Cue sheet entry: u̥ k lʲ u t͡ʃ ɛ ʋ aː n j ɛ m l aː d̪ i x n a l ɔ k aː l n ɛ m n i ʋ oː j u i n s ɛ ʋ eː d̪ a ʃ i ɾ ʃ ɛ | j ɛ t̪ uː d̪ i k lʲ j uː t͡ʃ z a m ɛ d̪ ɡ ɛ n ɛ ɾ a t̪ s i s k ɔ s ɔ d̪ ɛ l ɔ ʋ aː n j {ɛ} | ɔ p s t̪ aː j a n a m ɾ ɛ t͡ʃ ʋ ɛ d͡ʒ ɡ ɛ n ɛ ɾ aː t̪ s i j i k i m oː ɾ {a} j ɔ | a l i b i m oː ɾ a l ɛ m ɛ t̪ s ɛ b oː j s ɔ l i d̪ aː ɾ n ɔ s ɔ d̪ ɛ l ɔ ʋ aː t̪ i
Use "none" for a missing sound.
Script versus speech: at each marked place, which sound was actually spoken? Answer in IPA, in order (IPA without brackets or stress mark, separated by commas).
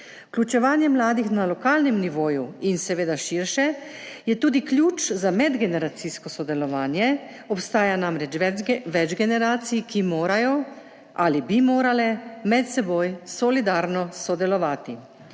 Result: ɛ, a